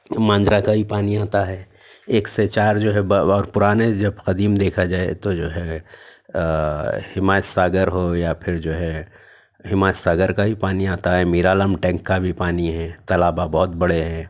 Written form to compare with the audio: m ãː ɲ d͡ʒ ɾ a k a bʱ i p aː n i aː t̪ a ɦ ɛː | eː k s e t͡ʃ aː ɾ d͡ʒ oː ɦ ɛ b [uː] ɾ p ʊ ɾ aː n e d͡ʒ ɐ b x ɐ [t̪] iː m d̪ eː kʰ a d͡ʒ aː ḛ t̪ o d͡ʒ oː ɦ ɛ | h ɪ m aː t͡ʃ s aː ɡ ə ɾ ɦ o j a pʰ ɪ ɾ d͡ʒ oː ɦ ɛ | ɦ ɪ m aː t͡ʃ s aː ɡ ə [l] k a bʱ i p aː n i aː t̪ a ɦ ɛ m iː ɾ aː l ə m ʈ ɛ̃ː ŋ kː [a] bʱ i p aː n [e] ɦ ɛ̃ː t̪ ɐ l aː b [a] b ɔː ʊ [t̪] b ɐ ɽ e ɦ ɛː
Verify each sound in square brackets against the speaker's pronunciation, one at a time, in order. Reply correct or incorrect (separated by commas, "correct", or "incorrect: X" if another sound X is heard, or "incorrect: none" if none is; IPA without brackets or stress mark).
incorrect: ɔː, incorrect: d̪, incorrect: ɾ, correct, incorrect: i, correct, correct